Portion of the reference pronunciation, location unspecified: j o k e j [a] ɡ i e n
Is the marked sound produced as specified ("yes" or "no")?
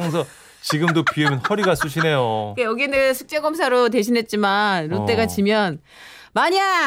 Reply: no